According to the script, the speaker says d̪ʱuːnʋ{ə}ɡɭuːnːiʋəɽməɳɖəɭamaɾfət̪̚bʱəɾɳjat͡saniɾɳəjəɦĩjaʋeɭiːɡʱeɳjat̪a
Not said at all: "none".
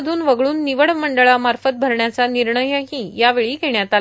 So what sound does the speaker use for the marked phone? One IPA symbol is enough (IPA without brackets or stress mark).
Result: ə